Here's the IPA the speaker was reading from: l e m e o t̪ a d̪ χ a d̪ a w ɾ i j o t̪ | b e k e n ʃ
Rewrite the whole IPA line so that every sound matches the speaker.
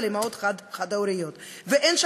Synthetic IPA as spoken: l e m a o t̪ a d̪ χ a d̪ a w ɾ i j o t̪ | v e ʔ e n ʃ